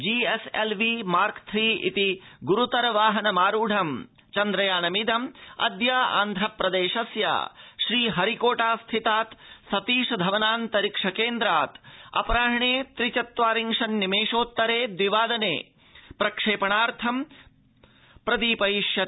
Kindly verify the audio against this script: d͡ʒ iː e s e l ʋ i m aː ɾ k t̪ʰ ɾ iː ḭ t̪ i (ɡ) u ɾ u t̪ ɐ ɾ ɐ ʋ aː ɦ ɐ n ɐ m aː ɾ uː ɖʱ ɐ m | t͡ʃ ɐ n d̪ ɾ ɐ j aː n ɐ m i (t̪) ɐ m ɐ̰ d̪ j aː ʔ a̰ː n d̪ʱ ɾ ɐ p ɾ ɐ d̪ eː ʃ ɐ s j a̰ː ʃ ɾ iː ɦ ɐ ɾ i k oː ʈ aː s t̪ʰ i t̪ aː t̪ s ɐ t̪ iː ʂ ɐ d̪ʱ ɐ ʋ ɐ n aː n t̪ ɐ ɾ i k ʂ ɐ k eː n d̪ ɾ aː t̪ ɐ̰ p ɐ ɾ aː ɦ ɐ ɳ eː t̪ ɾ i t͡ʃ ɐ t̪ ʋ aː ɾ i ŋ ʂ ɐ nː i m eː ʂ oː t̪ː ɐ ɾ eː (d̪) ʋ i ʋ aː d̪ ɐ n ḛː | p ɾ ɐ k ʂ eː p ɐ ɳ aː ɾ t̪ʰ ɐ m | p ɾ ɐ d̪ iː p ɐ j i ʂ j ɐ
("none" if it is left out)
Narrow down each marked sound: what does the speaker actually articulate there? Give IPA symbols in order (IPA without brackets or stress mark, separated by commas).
ɡ, d̪, d̪